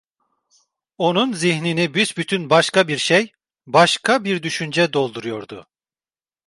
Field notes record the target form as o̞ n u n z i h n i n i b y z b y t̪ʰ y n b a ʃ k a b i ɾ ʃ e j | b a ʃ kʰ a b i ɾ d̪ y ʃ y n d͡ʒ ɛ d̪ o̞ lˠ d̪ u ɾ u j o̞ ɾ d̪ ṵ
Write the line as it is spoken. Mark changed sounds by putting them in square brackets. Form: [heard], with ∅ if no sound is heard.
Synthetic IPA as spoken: o̞ n u n z i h n i n i b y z b y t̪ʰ y n b a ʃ k a b i ɾ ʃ e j | b a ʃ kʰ a b i ɾ d̪ y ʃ y n d͡ʒ ɛ d̪ o̞ lˠ d̪ u ɾ u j o̞ ɾ d̪ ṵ